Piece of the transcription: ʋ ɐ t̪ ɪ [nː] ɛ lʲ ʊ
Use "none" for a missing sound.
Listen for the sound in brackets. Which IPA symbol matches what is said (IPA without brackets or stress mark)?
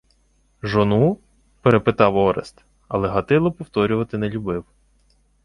n